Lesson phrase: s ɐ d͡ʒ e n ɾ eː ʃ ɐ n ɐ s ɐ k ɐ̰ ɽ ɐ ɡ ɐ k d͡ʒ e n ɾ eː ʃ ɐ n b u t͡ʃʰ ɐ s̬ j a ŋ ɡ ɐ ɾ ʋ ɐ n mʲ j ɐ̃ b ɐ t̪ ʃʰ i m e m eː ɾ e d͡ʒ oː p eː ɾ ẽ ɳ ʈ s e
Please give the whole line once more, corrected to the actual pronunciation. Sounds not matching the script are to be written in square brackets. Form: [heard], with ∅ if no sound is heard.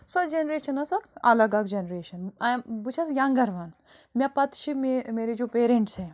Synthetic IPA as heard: s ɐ d͡ʒ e n ɾ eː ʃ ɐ n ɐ s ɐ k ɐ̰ [l] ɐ ɡ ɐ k d͡ʒ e n ɾ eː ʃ ɐ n b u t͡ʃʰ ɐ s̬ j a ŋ ɡ ɐ ɾ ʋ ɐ n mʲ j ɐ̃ [p] ɐ t̪ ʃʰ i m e m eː ɾ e d͡ʒ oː p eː ɾ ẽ ɳ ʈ s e

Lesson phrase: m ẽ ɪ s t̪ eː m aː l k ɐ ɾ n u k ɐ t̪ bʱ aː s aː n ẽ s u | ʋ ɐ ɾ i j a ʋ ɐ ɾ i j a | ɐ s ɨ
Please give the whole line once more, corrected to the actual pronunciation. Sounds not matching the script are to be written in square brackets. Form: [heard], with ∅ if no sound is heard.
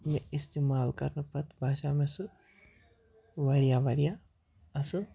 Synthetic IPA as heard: m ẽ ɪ s t̪ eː m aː l k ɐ ɾ n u [p] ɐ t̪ bʱ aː [ʃ] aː [m] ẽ s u | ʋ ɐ ɾ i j a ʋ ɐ ɾ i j a | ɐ s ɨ

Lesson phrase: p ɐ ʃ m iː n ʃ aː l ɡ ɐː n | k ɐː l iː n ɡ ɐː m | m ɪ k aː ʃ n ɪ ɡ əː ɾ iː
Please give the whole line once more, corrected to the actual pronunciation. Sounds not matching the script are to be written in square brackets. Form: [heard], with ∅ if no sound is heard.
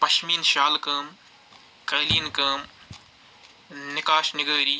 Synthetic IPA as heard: p ɐ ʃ m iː n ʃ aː l [k] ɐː [m] | k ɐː l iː n [k] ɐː m | [n] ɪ k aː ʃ n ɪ ɡ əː ɾ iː

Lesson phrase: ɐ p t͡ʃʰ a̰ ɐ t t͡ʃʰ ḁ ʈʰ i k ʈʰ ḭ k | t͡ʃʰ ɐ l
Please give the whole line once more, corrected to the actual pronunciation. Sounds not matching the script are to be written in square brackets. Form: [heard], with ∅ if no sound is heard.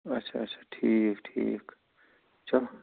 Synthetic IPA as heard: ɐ [t] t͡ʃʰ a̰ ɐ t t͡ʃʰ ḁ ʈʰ i k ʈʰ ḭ k | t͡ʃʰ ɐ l

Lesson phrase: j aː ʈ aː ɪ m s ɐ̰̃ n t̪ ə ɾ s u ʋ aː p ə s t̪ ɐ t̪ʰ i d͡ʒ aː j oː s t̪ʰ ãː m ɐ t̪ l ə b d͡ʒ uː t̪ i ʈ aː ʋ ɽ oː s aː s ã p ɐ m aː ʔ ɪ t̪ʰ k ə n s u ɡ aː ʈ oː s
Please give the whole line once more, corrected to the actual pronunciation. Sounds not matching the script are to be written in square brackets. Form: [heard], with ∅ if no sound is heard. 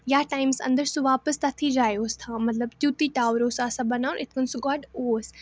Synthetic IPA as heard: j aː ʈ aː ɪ m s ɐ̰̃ n [d̪] ə ɾ s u ʋ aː p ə s t̪ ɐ t̪ʰ i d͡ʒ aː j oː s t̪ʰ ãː m ɐ t̪ l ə b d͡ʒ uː t̪ i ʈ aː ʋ [ɾ] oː s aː s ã [b] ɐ [n] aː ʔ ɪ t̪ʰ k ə n s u ɡ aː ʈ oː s

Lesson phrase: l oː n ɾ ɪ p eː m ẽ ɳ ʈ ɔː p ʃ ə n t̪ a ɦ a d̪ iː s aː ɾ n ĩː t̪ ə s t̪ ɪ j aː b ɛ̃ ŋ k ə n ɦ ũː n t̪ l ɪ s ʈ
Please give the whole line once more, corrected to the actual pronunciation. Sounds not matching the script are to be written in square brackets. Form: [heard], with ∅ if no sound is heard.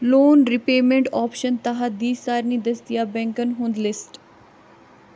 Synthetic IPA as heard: l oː n ɾ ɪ p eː m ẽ ɳ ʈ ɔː p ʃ ə n t̪ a ɦ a d̪ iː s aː ɾ n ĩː [d̪] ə s [d̪] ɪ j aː b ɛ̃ ŋ k ə n ɦ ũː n [d̪] l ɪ s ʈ

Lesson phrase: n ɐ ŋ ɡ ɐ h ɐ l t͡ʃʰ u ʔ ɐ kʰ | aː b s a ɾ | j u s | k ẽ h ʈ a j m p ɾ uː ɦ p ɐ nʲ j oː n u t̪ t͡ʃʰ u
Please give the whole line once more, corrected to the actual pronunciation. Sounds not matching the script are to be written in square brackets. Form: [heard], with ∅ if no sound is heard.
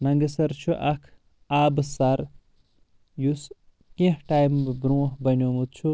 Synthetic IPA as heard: n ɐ ŋ ɡ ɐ [s] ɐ [ɾ] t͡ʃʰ u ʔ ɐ kʰ | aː b s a ɾ | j u s | k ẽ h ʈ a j m [b] ɾ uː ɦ [b] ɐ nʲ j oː [m] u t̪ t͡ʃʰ u

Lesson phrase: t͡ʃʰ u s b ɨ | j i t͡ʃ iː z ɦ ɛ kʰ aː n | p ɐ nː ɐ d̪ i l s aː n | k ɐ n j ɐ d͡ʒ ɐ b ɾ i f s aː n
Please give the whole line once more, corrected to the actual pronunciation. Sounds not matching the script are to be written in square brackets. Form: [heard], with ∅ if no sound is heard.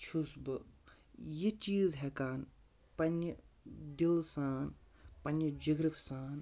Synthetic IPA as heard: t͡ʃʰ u s b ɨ | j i t͡ʃ iː z ɦ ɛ [k] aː n | p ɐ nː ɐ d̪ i l s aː n | [p] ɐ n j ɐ d͡ʒ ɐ [ɡ] ɾ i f s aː n

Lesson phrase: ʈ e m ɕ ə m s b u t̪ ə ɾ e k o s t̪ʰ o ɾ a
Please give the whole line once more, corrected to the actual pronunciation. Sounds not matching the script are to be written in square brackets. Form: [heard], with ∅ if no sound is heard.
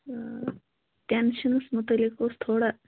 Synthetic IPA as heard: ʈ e [n] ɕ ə [n] s [m] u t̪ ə [l] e k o s t̪ʰ o [ɽ] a

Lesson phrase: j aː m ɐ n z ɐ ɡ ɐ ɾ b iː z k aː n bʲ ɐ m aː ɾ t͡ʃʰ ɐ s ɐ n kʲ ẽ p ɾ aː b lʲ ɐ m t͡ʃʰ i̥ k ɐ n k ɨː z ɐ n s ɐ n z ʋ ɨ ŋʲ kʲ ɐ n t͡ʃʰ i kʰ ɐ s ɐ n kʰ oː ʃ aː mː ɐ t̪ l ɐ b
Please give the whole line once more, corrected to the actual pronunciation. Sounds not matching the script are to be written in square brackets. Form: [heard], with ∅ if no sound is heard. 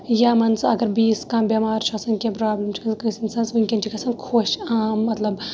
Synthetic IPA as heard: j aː m ɐ n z ɐ ɡ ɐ ɾ b iː [s] k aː [m] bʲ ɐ m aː ɾ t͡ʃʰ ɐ s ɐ n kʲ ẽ p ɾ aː b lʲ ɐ m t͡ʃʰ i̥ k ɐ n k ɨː [s] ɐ n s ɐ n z ʋ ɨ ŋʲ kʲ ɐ n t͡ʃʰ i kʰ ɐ s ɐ n kʰ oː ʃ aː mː ɐ t̪ l ɐ b

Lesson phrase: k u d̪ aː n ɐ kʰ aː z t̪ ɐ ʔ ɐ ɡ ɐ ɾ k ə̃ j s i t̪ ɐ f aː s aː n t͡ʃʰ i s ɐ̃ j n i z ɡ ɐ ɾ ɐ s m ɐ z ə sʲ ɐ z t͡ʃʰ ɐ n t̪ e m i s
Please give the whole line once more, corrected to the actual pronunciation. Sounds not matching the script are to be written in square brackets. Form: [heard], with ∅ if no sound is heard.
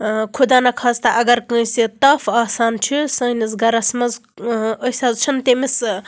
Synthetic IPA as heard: [kʰ] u d̪ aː n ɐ kʰ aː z t̪ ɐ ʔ ɐ ɡ ɐ ɾ k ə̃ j s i t̪ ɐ f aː s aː n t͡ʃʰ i s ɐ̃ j n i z ɡ ɐ ɾ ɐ s m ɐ z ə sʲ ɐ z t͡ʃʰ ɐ n t̪ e m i s

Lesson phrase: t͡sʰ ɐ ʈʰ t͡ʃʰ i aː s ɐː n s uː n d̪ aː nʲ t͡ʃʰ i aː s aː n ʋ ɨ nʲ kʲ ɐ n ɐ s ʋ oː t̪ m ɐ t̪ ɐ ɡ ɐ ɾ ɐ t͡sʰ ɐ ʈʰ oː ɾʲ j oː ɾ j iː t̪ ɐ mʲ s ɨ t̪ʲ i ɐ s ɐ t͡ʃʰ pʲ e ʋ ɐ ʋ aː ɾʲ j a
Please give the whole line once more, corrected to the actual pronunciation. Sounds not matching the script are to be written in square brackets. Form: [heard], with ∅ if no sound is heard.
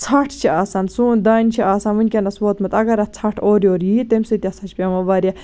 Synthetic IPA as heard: t͡sʰ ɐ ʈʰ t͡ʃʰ i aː s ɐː n s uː n d̪ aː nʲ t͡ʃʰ i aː s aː n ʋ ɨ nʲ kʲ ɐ n ɐ s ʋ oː t̪ m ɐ t̪ ɐ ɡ ɐ ɾ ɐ t͡sʰ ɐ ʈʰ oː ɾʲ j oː ɾ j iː t̪ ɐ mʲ s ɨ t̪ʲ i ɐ s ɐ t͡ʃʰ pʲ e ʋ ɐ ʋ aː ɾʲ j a

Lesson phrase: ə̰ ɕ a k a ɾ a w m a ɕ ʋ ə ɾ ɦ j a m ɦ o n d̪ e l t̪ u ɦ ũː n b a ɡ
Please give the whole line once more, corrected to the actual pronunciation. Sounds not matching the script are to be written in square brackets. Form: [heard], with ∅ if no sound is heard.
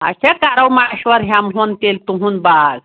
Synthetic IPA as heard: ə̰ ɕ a k a ɾ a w m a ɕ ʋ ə ɾ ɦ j a m ɦ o n [t̪] e l t̪ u ɦ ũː n b a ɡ

